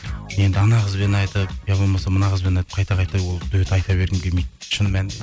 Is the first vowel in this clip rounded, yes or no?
no